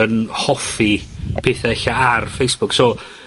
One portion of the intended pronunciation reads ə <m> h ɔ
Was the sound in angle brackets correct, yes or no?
no